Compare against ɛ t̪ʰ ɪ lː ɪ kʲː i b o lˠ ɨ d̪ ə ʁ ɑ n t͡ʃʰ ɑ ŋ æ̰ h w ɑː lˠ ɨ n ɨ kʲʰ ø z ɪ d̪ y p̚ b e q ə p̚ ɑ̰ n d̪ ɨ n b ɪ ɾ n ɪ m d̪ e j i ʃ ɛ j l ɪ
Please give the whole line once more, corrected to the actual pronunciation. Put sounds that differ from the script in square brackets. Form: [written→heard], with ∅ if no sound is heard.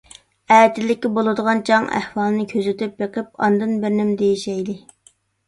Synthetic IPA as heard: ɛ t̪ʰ ɪ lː ɪ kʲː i b o lˠ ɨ d̪ ə ʁ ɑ n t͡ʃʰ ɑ ŋ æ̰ h w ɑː lˠ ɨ n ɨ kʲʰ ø z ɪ [d̪→t̪] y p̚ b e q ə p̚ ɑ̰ n d̪ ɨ n b ɪ ɾ n ɪ m d̪ e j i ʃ ɛ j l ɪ